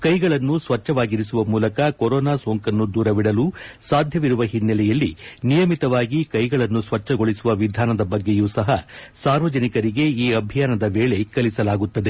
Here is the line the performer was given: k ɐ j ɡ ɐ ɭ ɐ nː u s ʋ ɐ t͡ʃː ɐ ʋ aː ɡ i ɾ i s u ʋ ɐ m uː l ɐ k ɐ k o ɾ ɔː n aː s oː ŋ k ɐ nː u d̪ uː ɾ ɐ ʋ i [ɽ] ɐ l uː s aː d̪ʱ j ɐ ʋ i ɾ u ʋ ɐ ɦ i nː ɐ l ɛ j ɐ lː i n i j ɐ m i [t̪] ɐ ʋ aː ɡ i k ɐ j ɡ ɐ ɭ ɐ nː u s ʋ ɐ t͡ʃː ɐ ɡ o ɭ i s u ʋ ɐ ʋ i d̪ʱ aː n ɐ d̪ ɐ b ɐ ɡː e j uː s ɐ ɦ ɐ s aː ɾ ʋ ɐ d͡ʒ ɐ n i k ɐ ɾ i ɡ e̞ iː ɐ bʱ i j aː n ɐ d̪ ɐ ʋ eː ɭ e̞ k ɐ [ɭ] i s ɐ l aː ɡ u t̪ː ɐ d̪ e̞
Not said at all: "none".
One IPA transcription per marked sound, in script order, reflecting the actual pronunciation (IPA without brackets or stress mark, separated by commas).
ɽ, t̪, l